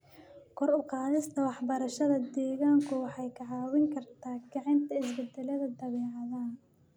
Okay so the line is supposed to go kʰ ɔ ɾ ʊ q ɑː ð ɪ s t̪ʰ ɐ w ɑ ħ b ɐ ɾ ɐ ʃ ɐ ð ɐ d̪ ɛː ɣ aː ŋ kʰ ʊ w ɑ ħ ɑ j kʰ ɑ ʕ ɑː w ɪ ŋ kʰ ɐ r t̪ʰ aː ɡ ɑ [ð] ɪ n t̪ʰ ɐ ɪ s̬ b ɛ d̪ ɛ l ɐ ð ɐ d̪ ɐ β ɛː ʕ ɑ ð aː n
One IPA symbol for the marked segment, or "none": ʕ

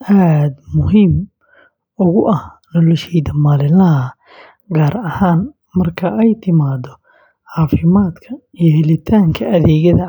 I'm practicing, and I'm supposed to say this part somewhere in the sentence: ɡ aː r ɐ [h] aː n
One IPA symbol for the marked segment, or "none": h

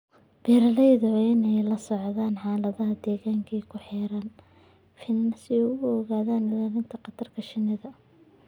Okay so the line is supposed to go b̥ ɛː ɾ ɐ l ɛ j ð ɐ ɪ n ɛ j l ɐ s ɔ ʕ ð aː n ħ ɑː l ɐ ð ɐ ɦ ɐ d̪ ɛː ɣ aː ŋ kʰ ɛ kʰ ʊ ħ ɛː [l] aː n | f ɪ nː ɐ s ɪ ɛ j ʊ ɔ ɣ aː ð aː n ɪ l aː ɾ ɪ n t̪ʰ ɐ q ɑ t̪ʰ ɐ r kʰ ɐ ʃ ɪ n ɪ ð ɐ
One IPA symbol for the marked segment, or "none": ɾ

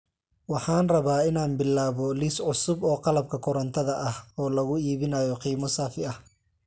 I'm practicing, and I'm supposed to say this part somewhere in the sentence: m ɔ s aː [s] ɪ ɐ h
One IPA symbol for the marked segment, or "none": f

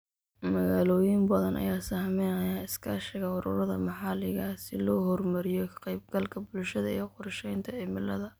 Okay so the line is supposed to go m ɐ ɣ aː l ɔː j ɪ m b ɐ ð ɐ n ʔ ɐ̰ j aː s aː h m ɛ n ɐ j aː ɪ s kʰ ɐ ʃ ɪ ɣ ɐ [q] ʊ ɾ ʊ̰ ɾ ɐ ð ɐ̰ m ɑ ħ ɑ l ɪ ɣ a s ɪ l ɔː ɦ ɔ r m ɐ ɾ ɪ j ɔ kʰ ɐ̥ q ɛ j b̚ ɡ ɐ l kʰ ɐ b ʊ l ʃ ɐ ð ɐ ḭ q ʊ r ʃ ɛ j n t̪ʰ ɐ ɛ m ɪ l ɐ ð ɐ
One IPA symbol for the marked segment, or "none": none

